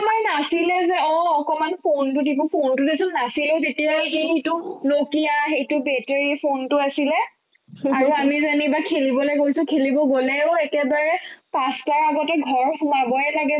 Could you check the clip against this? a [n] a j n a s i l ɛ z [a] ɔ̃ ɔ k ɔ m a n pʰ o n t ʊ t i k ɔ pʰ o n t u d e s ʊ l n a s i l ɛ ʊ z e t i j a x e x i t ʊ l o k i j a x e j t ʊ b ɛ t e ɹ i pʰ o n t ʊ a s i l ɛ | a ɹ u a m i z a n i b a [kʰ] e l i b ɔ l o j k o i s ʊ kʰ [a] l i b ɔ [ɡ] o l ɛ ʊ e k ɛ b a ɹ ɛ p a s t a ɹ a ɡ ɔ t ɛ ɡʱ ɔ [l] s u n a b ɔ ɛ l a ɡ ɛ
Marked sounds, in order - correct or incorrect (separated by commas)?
incorrect, incorrect, correct, incorrect, correct, incorrect